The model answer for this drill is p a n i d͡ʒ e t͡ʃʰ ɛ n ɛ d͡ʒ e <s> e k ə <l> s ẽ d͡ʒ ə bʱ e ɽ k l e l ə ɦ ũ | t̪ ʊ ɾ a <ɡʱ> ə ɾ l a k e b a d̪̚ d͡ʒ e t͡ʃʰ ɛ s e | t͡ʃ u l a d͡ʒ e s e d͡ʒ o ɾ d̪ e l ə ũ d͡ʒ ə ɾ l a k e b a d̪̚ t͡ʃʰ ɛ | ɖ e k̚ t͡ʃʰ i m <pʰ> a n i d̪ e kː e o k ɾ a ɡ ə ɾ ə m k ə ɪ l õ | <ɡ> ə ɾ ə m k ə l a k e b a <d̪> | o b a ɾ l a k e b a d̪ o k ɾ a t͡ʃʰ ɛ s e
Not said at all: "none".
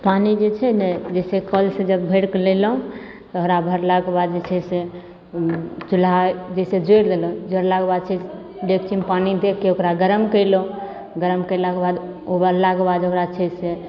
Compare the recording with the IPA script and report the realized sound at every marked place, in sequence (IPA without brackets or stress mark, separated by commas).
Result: s, l, bʱ, p, ɡ, d̪